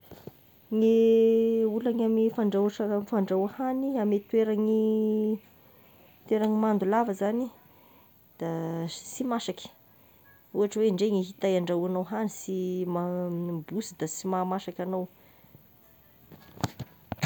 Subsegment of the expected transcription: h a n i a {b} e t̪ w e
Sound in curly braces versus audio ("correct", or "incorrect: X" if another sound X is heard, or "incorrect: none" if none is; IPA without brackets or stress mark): incorrect: m